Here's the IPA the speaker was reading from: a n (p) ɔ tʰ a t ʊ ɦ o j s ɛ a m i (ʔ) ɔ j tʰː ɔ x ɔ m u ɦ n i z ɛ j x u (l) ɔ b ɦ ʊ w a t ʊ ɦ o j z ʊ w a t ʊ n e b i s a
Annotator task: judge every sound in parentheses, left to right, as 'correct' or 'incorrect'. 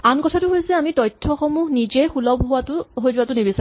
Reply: incorrect: k, incorrect: t, correct

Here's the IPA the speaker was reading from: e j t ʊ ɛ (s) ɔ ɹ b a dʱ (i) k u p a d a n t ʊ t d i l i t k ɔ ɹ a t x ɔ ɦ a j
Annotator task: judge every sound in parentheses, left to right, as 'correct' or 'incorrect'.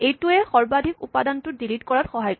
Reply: incorrect: x, correct

